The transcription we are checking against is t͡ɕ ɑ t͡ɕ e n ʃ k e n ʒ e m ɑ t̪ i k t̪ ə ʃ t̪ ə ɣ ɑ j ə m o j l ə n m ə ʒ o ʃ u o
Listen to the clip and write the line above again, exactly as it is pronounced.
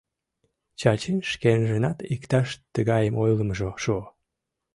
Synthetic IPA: t͡ɕ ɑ t͡ɕ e n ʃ k e n ʒ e n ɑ t̪ i k t̪ ɑ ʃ t̪ ə ɣ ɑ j ə m o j l ə m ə ʒ o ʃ u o